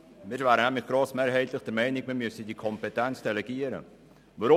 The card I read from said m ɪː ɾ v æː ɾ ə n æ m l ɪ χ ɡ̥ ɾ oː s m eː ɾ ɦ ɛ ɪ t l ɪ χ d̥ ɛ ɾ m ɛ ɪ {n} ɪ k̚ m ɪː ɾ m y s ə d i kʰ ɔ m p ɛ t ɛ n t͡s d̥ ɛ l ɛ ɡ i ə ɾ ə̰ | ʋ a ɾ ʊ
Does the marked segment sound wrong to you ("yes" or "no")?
no